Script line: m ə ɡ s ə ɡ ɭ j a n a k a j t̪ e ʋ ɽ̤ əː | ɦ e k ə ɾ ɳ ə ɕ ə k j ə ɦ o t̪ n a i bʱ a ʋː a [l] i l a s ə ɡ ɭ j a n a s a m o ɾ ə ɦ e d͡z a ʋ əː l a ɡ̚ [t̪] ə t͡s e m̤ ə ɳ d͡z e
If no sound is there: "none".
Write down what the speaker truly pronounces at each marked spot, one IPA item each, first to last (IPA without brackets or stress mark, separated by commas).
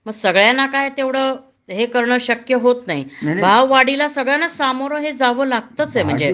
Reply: ɽ, t̪